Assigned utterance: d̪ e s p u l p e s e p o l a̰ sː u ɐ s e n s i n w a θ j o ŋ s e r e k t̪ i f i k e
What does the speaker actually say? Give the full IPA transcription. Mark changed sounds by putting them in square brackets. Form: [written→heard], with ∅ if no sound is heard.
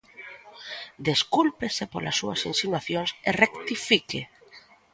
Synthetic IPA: d̪ e s [p→k] u l p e s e p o l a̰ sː u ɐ s [e→i] n s i n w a θ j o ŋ s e r e k t̪ i f i k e